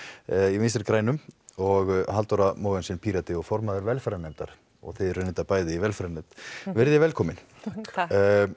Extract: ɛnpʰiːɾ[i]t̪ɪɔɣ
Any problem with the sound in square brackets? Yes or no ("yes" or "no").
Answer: yes